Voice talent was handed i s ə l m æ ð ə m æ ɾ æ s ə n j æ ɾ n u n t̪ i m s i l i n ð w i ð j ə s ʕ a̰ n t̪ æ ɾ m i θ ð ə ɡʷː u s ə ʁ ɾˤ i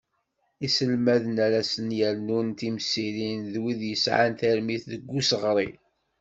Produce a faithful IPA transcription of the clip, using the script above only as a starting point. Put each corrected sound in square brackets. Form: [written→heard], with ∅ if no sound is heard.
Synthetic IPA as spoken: i s ə l m æ ð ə [m→n] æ ɾ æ s ə n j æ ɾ n u n t̪ i m s i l i n ð w i ð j ə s ʕ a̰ n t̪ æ ɾ m i θ ð ə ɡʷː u s ə ʁ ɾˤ i